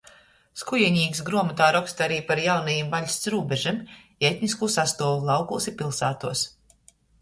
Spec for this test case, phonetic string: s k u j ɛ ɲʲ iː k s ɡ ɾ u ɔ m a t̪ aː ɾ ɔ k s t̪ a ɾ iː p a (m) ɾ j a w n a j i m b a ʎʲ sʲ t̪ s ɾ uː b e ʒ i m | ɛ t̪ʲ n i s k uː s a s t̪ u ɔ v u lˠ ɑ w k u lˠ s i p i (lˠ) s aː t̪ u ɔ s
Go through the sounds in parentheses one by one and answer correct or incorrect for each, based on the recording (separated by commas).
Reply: incorrect, correct